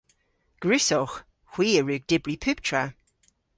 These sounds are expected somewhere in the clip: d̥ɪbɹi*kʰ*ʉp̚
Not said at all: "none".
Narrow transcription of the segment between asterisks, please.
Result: pʰ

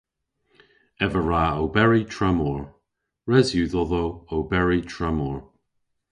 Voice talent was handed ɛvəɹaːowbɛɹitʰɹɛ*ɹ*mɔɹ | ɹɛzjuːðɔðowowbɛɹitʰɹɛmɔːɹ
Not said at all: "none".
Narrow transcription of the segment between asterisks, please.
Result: none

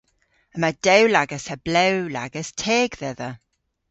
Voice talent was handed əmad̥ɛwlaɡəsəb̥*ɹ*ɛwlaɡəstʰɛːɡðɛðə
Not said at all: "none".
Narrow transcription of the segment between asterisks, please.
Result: l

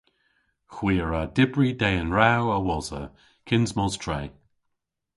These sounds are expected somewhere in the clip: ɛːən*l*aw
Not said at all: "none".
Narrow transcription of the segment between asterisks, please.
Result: ɹ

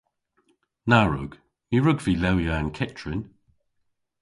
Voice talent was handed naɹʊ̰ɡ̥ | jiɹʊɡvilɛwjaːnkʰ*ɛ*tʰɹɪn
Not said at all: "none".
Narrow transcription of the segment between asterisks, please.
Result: ɛ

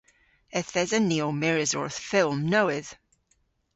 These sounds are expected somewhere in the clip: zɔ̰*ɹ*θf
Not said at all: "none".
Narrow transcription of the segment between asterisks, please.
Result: ɹ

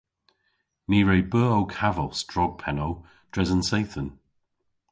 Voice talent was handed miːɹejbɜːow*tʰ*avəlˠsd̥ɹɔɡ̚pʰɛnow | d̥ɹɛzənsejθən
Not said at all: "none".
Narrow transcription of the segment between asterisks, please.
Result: kʰ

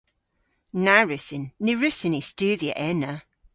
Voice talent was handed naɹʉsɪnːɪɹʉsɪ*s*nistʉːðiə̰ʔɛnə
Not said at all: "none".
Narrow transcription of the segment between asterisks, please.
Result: none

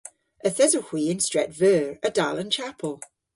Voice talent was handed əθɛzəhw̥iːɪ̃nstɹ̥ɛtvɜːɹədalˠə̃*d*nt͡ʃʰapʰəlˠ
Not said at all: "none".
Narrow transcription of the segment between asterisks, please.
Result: none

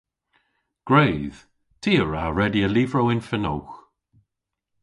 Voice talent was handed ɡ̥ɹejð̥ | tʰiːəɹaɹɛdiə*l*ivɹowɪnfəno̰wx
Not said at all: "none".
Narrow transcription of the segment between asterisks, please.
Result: l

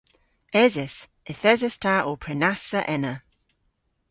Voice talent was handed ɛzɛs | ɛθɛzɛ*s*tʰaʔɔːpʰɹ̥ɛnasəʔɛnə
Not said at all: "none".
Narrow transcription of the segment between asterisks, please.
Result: s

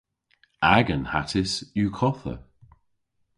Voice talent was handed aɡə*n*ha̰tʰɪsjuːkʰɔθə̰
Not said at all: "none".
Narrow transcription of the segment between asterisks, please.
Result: n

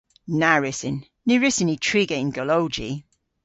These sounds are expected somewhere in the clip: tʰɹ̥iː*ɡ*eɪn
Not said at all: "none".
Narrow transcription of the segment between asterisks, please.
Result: ɡ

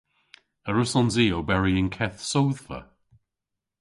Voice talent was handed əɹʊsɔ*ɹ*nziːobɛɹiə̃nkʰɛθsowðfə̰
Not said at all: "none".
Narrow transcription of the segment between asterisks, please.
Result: none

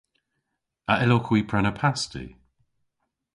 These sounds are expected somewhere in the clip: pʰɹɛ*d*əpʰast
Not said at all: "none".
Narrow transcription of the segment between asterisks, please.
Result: n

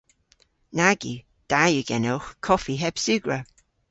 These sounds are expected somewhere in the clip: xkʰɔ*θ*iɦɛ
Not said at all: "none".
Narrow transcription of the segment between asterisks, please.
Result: f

